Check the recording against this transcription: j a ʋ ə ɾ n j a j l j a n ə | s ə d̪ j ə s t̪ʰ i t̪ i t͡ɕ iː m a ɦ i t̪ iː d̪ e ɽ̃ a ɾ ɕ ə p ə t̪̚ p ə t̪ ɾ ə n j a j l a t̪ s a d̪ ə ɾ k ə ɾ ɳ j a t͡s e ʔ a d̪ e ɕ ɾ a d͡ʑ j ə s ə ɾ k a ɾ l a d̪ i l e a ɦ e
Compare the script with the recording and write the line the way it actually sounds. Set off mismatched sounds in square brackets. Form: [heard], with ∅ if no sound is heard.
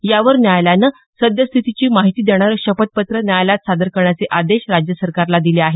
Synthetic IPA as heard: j a ʋ ə ɾ n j a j l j a n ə | s ə d̪ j ə s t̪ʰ i t̪ i t͡ɕ iː m a ɦ i t̪ iː d̪ e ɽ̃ a ɾ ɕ ə p ə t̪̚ p ə t̪ ɾ ə n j a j l a t̪ s a d̪ ə ɾ k ə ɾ ɳ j a t͡s e ʔ a d̪ e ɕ ɾ a d͡ʑ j ə s ə ɾ k a ɾ l a d̪ i l e a ɦ e